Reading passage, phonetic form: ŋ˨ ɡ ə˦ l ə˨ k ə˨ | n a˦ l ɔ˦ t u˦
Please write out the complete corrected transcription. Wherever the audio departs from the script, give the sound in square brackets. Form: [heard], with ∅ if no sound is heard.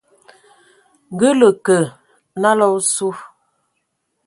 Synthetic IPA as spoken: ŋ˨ ɡ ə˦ l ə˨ k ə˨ | n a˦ l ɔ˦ [s] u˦

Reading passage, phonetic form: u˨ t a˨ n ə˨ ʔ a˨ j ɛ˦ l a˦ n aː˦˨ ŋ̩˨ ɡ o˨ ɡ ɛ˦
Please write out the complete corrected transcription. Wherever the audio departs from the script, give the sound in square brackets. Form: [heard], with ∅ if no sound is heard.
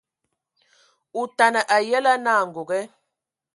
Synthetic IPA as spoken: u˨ t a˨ n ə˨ ʔ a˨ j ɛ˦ l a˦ n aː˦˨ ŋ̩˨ ɡ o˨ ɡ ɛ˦

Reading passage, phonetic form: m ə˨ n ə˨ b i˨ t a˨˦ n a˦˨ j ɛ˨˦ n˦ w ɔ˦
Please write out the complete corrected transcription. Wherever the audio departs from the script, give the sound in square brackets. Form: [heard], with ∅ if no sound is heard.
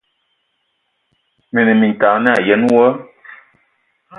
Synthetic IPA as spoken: m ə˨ n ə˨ [m] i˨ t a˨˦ n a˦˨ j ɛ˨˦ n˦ w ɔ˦

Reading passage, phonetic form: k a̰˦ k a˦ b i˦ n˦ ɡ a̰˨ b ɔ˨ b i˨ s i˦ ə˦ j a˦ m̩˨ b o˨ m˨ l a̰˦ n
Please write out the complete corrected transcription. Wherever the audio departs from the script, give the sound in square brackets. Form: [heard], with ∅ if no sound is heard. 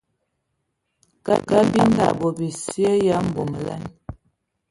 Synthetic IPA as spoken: k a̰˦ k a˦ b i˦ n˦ [d] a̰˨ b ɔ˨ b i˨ s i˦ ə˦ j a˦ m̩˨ b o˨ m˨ l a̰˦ n

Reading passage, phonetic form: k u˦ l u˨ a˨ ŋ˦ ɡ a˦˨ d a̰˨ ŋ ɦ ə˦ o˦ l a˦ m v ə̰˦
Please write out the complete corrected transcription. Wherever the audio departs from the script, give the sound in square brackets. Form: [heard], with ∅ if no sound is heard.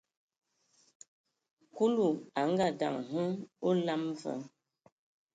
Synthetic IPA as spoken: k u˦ l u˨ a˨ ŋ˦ ɡ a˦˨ d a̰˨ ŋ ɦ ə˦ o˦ l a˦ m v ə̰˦

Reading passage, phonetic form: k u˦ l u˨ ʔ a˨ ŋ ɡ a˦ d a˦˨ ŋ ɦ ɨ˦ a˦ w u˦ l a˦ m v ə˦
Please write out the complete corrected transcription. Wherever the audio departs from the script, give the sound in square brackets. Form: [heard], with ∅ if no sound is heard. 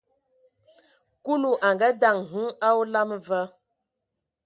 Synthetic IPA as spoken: k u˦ l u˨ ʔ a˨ ŋ ɡ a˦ d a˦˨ ŋ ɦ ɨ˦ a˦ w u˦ l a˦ m v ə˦

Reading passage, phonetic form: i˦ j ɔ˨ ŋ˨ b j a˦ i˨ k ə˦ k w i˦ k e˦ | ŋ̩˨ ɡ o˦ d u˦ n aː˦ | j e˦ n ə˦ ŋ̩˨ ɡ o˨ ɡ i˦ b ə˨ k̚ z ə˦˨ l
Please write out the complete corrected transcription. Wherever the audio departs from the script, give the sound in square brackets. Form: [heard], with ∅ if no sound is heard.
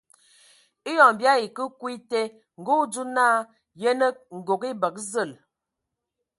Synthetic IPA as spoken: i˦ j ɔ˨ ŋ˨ b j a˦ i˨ k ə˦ k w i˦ [t] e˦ | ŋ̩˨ ɡ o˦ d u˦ n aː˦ | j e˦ n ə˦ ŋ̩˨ ɡ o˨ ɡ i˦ b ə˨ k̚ z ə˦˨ l

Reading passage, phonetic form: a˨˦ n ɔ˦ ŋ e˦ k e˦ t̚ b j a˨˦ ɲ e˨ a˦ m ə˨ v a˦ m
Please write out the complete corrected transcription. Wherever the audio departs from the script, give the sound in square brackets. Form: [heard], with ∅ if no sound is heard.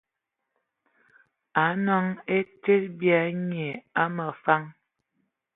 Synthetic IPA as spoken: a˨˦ n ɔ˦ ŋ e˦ [t] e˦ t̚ b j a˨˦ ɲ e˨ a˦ m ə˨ [f] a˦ [ŋ]

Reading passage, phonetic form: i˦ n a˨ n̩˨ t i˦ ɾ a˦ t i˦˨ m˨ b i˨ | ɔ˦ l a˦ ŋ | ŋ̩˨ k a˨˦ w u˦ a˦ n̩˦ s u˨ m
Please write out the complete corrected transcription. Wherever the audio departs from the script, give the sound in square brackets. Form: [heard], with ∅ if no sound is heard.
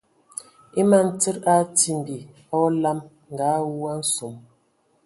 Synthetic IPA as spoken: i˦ [m] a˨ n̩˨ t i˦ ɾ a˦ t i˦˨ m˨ b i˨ | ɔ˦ l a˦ [m] | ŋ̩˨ [ɡ] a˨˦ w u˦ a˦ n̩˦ s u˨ m

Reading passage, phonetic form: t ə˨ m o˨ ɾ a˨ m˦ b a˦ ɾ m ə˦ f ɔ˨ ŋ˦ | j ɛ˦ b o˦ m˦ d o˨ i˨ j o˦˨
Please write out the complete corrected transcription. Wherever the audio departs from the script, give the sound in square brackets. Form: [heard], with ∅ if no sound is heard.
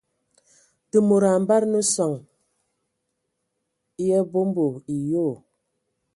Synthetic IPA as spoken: t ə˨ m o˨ ɾ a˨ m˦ b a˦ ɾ [n] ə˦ [s] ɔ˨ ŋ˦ | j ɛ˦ b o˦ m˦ [b] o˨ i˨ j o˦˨

